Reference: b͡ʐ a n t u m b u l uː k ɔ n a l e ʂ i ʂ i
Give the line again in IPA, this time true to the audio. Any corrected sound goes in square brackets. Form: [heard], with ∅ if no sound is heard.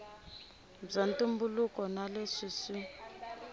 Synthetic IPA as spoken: b͡ʐ a n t u m b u l [u] k ɔ n a l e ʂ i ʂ i